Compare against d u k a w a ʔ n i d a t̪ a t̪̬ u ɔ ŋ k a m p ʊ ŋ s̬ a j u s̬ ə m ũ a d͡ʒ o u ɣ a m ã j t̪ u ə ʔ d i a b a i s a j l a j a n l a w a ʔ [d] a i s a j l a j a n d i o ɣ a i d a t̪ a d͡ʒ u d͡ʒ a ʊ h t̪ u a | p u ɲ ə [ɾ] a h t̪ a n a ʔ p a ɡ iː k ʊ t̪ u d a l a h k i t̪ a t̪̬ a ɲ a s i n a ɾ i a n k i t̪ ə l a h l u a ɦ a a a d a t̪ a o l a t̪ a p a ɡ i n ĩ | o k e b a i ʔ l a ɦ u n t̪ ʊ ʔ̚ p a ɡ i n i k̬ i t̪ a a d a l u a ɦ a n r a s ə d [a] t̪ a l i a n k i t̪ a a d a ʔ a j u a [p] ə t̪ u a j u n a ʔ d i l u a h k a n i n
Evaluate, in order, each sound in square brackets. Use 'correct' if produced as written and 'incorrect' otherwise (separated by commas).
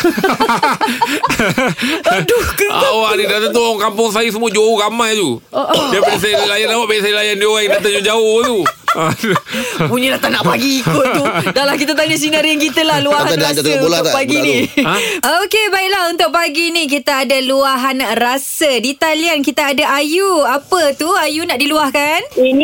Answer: incorrect, incorrect, incorrect, correct